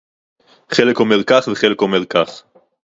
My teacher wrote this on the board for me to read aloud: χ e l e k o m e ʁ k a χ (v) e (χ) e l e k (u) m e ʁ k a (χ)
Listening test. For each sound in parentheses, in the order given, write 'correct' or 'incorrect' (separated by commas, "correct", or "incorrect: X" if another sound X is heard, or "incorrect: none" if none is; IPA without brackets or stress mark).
correct, correct, incorrect: o, correct